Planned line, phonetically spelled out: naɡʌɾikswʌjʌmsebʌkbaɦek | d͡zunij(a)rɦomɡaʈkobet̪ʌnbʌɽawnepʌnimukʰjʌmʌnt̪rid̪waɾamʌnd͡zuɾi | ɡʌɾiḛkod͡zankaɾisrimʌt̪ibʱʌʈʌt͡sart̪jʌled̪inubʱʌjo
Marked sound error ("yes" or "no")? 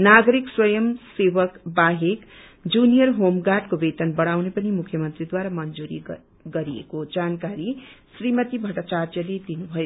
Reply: yes